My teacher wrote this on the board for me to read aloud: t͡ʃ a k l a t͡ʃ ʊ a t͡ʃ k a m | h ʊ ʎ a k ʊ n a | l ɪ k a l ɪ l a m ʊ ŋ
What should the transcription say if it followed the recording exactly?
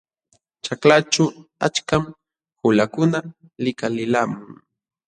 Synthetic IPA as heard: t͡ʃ a k l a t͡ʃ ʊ a t͡ʃ k a m | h ʊ l a k ʊ n a | l ɪ k a l ɪ l a m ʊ ŋ